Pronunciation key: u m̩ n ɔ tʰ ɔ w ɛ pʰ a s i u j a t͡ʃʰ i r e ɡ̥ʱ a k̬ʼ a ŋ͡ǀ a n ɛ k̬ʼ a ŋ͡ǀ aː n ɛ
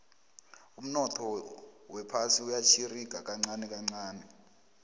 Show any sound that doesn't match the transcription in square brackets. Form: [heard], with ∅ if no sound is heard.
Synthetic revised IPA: u m̩ n ɔ tʰ ɔ w ɛ pʰ a s i u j a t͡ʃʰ i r [i] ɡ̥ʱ a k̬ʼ a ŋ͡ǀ a n ɛ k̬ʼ a ŋ͡ǀ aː n ɛ